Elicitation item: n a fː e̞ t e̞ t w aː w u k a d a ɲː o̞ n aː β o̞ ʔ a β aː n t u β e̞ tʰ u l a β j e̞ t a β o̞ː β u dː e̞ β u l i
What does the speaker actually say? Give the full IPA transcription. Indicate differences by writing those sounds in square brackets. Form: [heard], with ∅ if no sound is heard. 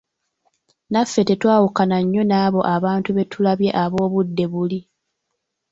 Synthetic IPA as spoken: n a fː e̞ t e̞ t w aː w u k a [n] a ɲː o̞ n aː β o̞ ʔ a β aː n t u β e̞ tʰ u l a β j e̞ [ʔ] a β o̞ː β u dː e̞ β u l i